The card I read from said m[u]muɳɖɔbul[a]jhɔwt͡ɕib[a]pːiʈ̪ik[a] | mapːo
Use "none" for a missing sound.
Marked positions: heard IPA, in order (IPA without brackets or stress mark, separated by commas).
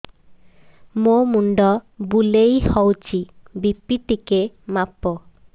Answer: o, e, i, e